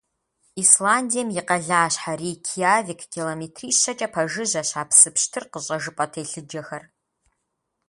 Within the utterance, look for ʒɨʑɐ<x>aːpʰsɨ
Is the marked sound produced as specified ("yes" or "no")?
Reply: no